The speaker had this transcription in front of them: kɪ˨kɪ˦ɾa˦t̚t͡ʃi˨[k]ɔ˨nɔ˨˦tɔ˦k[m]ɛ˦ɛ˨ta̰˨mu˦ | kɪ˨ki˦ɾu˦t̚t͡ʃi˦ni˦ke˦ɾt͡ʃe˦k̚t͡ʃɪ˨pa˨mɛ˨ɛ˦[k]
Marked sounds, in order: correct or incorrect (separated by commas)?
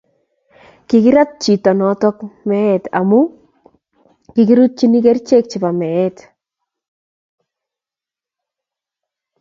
incorrect, correct, incorrect